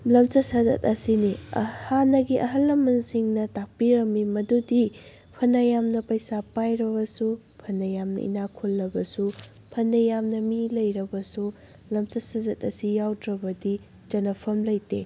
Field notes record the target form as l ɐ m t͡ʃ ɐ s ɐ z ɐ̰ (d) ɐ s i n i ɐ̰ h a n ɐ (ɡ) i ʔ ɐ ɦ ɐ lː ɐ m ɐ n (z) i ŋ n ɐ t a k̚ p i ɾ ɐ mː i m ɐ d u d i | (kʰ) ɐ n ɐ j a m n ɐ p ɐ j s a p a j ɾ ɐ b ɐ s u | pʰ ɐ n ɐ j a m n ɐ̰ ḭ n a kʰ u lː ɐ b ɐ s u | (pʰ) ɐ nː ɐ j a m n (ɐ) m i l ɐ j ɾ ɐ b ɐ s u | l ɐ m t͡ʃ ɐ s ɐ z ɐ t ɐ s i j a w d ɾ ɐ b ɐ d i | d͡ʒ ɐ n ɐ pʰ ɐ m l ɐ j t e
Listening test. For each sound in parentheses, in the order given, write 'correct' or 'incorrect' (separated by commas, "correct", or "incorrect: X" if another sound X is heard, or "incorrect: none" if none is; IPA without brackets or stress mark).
incorrect: t, correct, incorrect: s, incorrect: pʰ, correct, correct